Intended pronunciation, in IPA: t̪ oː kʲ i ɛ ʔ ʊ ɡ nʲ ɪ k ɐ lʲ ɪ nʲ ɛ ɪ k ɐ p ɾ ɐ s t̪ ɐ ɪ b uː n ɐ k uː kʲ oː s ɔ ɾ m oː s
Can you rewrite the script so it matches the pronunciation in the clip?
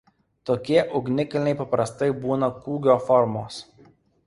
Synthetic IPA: t̪ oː kʲ i ɛ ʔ ʊ ɡ nʲ ɪ k ɐ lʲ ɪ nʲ ɛ ɪ p ɐ p ɾ ɐ s t̪ ɐ ɪ b uː n ɐ k uː ɡʲ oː f ɔ ɾ m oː s